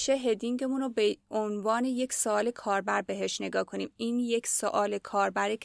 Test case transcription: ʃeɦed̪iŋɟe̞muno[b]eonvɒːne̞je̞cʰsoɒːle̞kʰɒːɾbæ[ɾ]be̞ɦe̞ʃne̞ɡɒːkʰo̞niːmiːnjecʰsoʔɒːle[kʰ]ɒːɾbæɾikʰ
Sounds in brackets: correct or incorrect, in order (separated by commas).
correct, correct, correct